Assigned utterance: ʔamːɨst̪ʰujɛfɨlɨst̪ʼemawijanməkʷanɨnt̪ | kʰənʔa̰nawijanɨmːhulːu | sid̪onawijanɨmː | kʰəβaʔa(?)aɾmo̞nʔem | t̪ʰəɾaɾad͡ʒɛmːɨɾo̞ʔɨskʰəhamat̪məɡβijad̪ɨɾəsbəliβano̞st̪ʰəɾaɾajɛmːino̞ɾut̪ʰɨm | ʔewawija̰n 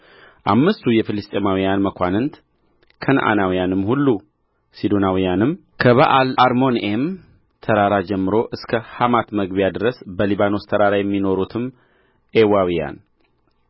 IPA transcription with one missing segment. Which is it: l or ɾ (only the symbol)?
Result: l